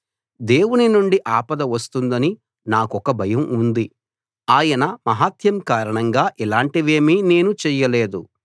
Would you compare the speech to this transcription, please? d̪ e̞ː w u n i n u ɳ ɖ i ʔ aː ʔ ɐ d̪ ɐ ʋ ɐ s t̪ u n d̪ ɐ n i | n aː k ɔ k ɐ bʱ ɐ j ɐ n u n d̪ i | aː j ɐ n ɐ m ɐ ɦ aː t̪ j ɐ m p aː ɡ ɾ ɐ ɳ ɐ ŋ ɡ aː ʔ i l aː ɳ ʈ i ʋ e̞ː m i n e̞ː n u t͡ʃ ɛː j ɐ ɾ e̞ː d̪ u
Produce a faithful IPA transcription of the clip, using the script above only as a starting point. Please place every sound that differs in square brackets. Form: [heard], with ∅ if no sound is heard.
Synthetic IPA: d̪ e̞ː w u n i n u ɳ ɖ i ʔ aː [p] ɐ d̪ ɐ ʋ ɐ s t̪ u n d̪ ɐ n i | n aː k ɔ k ɐ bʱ ɐ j ɐ [m] u n d̪ i | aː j ɐ n ɐ m ɐ ɦ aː t̪ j ɐ m [k] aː [∅] ɾ ɐ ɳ ɐ ŋ ɡ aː ʔ i l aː ɳ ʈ i ʋ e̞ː m i n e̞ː n u t͡ʃ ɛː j ɐ [l] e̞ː d̪ u